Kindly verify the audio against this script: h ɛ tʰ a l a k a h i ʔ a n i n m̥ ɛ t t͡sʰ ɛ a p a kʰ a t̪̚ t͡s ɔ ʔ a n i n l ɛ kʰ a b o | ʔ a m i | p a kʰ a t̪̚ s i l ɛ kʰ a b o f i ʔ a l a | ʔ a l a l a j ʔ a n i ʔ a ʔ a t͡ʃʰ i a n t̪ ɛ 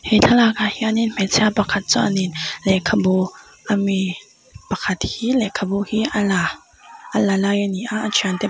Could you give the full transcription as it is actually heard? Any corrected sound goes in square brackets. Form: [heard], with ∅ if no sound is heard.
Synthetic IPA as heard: h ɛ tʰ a l a k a h i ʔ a n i n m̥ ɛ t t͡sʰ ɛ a p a kʰ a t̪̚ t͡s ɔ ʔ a n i n l ɛ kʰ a b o | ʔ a m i | p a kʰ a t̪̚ [h] i l ɛ kʰ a b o [h] i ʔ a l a | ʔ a l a l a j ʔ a n i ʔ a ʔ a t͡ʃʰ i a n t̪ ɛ

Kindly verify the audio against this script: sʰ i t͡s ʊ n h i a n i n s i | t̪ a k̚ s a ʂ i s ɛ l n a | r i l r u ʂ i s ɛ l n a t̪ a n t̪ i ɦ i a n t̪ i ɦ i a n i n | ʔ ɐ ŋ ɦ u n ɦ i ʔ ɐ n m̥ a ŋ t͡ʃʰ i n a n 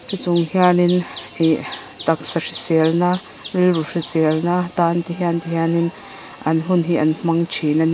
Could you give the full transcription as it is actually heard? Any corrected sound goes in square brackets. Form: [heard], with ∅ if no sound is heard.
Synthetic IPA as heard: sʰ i t͡s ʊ [ŋ] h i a n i n [h] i | t̪ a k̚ s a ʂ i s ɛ l n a | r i l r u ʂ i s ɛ l n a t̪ a n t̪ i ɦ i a n t̪ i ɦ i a n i n | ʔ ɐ [n] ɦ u n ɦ i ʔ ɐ n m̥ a ŋ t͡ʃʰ i n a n

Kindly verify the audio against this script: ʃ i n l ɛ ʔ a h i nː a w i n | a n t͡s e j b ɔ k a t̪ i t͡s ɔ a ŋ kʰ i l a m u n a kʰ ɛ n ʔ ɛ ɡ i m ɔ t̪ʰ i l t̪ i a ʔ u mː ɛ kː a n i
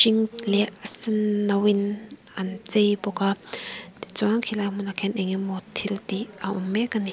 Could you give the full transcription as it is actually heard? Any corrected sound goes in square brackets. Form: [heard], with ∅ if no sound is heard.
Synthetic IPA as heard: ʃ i [ŋ] l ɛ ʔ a [s] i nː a w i n | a n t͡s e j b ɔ k a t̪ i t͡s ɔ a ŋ kʰ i l a m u n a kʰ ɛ n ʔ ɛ [ŋ] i m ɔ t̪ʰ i l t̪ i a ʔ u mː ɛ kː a n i

